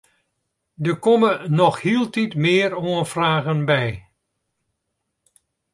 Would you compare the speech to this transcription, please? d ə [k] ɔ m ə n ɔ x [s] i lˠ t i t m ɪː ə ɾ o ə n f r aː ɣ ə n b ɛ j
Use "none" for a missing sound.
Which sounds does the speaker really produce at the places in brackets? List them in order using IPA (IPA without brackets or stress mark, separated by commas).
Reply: k, h